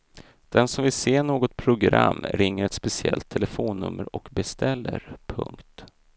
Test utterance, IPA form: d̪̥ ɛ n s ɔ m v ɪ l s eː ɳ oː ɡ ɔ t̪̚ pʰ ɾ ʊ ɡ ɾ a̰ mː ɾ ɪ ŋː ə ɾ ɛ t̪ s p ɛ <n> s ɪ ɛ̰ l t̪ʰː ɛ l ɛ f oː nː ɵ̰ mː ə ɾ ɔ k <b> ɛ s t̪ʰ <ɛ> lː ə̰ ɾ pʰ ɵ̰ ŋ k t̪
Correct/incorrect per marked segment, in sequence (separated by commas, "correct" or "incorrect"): incorrect, correct, correct